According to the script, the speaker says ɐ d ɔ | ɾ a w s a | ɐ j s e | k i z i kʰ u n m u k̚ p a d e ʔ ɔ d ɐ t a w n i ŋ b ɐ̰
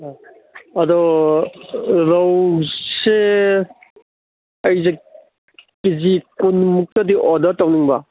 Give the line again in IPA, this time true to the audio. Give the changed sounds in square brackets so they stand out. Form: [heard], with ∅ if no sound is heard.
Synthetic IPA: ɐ d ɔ | ɾ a w s [e] | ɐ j [z] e | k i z i [k] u n m u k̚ [t] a d [i] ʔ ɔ d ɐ t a w n i ŋ b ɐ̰